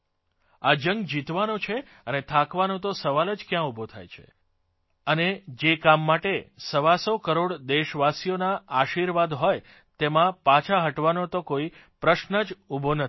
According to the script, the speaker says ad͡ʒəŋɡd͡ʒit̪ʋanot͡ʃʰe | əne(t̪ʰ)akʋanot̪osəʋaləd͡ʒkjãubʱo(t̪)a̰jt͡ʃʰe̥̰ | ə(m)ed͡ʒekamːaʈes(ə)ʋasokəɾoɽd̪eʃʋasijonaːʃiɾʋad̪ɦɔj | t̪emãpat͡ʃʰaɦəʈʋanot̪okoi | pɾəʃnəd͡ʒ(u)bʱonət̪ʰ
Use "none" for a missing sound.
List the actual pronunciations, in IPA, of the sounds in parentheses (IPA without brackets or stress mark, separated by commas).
t̪ʰ, t̪ʰ, n, ə, u